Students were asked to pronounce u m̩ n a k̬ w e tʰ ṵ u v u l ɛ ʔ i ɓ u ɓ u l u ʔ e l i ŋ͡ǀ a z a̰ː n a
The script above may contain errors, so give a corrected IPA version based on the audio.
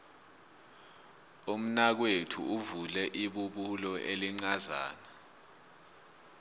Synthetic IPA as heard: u m̩ n a k̬ w e tʰ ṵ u v u l ɛ ʔ i ɓ u ɓ u l ɔ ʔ e l i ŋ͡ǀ a z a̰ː n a